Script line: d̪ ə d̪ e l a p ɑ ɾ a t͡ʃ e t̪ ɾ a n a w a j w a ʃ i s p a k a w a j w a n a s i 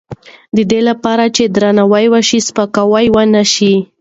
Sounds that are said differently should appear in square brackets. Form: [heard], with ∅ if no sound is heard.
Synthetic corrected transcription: d̪ ə d̪ e l a p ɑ ɾ a t͡ʃ e [d̪] ɾ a n a w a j w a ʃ i s p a k a w a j w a n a [ʃ] i